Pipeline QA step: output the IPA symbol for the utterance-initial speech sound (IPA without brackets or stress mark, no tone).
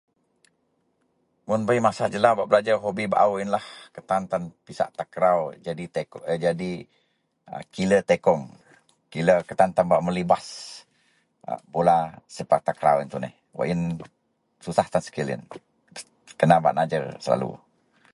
m